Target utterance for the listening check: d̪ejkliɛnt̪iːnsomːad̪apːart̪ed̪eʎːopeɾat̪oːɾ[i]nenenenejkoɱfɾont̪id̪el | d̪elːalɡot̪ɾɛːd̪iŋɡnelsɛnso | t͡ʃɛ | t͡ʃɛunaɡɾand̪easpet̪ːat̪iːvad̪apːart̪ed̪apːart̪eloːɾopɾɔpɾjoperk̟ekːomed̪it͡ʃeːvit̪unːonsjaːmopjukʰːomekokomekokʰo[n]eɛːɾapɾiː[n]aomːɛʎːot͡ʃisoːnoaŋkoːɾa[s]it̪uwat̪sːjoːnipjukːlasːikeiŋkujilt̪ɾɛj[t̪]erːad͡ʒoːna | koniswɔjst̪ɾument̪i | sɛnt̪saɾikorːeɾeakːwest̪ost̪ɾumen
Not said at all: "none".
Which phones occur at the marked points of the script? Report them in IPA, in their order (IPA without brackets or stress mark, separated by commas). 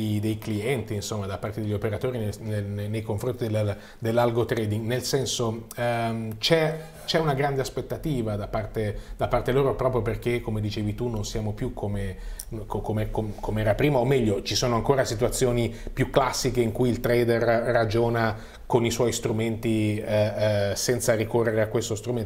i, m, m, s, d̪